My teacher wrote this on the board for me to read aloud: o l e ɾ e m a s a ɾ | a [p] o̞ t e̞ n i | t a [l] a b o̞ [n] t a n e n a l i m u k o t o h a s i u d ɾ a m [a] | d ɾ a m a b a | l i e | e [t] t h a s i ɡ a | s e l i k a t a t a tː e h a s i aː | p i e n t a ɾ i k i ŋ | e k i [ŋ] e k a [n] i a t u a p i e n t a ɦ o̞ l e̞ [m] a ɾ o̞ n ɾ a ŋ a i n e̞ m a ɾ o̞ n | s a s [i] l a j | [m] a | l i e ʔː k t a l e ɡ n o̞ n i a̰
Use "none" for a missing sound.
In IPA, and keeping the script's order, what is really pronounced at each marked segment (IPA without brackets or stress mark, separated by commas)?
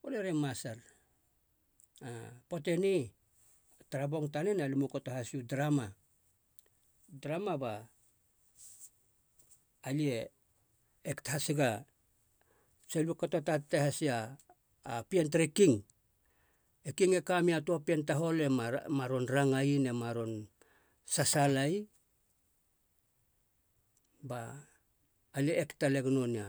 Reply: p, ɾ, ŋ, a, k, ŋ, m, m, a, b